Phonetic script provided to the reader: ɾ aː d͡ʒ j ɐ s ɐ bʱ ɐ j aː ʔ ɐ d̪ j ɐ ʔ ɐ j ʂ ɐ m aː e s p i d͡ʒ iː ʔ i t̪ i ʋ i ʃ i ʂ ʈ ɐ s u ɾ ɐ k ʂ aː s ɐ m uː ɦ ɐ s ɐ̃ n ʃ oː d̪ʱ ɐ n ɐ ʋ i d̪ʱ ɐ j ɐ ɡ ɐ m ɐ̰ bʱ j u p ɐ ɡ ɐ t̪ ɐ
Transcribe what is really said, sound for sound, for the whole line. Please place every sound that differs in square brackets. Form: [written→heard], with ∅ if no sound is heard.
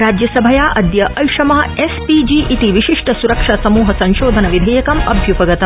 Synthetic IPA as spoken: ɾ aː d͡ʒ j ɐ s ɐ bʱ ɐ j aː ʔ ɐ d̪ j ɐ ʔ ɐ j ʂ ɐ m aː e s p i d͡ʒ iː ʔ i t̪ i ʋ i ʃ i ʂ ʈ ɐ s u ɾ ɐ k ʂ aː s ɐ m uː ɦ ɐ s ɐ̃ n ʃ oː d̪ʱ ɐ n ɐ ʋ i d̪ʱ ɐ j ɐ [ɡ→k] ɐ m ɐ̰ bʱ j u p ɐ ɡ ɐ t̪ ɐ